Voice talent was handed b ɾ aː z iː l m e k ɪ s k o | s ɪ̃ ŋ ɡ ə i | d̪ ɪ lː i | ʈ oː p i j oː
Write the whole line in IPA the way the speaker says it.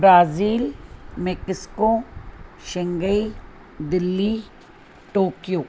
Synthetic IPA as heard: b ɾ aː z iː l m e k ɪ s k o | ʃ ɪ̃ ŋ ɡ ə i | d̪ ɪ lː i | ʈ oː k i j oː